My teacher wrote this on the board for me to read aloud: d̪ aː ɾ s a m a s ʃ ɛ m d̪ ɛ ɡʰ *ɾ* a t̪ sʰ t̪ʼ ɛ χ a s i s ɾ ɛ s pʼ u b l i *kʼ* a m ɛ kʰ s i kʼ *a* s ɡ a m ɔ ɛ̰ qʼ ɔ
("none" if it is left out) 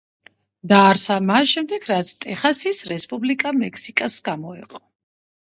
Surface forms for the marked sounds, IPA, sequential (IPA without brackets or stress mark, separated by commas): ɾ, kʼ, a